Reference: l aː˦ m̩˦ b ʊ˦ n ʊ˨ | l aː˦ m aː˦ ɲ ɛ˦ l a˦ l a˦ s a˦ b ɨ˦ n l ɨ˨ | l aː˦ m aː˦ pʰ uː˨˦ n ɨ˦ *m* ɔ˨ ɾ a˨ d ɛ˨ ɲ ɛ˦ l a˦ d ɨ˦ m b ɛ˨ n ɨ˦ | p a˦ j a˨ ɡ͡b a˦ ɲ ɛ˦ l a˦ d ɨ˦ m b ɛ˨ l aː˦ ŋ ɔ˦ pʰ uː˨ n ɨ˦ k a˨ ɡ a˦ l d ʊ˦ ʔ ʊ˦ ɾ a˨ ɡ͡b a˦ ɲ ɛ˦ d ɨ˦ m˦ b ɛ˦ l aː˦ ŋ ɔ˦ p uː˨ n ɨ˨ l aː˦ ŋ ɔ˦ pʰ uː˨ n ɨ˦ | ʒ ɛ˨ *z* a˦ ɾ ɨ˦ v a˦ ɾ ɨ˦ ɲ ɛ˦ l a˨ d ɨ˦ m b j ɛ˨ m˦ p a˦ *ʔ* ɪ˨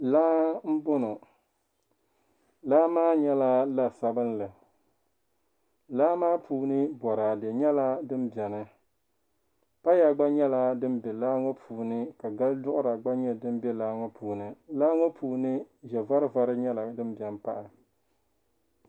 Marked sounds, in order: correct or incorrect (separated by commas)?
incorrect, incorrect, correct